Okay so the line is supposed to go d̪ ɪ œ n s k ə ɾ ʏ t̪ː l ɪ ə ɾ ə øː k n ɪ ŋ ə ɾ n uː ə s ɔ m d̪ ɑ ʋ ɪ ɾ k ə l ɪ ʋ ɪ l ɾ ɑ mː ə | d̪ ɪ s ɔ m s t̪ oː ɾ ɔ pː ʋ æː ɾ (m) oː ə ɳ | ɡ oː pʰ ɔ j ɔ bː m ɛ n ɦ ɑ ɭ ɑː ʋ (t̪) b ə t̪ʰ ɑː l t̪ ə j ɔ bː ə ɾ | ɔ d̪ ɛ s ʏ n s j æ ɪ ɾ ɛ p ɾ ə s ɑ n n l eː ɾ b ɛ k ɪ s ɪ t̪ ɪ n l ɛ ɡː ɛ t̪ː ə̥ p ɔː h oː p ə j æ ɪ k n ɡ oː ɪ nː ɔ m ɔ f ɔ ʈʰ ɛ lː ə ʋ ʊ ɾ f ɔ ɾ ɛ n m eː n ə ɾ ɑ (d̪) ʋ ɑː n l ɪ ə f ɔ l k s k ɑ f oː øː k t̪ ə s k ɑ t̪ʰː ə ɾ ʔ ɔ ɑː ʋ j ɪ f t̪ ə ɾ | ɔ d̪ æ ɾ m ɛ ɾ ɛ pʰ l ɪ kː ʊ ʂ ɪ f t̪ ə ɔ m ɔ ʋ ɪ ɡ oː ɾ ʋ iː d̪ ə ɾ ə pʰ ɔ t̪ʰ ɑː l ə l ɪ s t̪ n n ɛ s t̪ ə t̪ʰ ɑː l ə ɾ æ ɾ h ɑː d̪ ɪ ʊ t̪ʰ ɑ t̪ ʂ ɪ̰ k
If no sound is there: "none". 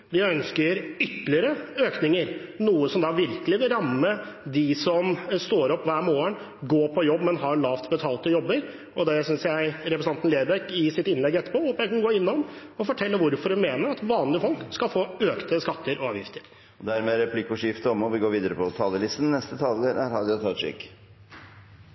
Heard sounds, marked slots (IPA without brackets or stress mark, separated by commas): m, t̪, t̪